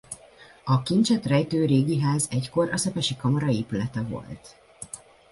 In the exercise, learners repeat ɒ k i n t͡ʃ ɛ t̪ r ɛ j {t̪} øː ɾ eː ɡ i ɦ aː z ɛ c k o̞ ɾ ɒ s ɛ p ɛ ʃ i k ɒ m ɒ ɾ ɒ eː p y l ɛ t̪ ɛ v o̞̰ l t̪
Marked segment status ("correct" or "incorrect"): correct